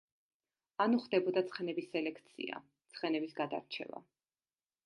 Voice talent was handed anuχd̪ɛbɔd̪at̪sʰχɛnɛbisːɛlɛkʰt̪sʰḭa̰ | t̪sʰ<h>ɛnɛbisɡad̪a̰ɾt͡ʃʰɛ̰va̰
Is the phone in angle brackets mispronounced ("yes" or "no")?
yes